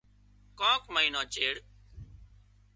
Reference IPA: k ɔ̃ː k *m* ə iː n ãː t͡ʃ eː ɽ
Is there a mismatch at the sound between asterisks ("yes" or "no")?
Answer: no